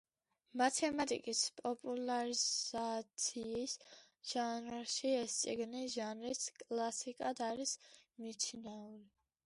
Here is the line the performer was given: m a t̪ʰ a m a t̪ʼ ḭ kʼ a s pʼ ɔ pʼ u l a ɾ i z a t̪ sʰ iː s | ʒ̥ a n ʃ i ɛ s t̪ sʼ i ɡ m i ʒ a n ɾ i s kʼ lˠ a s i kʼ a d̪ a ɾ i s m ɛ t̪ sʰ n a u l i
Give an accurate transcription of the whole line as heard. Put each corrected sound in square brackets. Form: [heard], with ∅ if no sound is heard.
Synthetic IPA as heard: m a t̪ʰ [ɛ] m a t̪ʼ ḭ kʼ [i] s pʼ ɔ pʼ u l a ɾ i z a t̪ sʰ iː s | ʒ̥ a n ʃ i ɛ s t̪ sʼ i ɡ [n] i ʒ a n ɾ i s kʼ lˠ a s i kʼ a d̪ a ɾ i s m [i] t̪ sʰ n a u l i